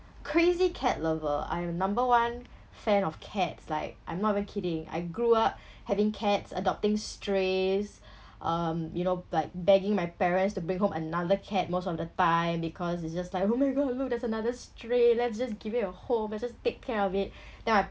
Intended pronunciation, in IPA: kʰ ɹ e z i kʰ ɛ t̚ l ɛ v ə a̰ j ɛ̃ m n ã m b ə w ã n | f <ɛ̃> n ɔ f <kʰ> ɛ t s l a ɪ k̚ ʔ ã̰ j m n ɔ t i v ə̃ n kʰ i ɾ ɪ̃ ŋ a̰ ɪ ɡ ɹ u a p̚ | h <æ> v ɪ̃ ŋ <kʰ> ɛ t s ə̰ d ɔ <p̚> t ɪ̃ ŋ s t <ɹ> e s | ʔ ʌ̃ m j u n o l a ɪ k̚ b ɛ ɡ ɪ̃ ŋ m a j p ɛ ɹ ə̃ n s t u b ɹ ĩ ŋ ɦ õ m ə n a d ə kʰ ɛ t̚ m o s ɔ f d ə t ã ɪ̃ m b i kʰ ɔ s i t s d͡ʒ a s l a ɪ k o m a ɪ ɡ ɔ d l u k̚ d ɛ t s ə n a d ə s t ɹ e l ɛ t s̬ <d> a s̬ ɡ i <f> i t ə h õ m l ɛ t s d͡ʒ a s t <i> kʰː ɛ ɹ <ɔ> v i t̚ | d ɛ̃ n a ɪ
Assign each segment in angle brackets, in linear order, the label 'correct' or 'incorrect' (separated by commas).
correct, correct, incorrect, correct, correct, correct, incorrect, incorrect, incorrect, correct